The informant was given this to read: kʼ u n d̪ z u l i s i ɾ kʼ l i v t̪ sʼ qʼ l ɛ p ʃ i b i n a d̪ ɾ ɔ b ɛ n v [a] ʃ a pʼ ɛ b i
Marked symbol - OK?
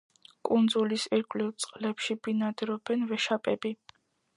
no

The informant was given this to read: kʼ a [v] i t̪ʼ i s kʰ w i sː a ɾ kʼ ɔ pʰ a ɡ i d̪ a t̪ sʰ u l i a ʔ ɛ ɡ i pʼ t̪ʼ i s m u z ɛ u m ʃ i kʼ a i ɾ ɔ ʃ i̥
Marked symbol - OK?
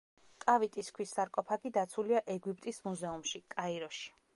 yes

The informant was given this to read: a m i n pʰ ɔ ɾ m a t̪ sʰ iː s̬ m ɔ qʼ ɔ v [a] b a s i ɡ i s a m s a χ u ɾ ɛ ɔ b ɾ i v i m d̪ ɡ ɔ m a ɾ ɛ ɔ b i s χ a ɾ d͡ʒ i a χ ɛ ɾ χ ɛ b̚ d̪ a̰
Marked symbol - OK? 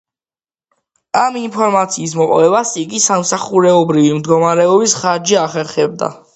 no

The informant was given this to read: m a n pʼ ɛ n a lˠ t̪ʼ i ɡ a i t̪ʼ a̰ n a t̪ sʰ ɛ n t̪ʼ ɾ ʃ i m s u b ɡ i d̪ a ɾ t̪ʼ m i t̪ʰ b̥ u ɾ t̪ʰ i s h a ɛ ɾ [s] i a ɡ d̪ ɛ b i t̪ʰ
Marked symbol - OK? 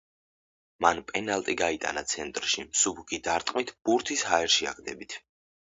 no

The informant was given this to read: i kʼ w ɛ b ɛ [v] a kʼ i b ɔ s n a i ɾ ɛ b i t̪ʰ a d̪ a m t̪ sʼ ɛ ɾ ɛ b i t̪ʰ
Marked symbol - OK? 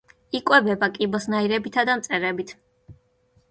no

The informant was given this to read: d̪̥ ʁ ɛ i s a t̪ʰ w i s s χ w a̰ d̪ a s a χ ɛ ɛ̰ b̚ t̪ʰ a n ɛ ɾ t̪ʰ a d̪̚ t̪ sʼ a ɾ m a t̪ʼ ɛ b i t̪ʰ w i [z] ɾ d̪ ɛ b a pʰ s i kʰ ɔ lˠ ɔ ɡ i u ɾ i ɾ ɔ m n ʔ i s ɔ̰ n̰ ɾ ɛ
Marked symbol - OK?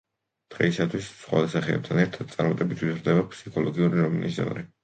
yes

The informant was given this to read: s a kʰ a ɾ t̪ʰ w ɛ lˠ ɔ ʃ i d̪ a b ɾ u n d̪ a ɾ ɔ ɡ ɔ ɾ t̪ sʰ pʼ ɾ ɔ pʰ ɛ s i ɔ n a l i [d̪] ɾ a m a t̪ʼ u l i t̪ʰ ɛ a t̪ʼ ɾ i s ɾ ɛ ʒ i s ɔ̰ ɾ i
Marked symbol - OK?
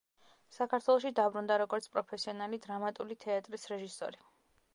yes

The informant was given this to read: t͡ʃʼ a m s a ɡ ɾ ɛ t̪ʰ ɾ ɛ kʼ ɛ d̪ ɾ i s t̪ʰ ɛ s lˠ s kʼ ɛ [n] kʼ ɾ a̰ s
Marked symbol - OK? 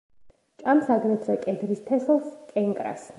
no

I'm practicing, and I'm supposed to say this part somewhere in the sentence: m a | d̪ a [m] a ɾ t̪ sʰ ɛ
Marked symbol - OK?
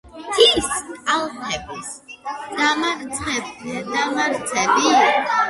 yes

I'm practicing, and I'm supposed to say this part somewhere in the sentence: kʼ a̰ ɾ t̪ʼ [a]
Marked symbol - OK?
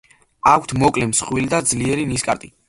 no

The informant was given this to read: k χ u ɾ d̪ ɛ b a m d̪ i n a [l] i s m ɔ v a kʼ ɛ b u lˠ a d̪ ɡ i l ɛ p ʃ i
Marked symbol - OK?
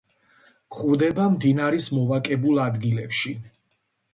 no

